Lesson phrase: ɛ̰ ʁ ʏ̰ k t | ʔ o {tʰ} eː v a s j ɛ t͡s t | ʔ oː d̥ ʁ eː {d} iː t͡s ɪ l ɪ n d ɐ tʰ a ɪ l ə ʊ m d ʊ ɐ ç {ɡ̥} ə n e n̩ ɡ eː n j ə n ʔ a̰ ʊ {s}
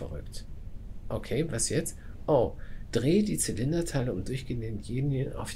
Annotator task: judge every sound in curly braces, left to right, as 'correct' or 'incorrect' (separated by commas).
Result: incorrect, correct, correct, incorrect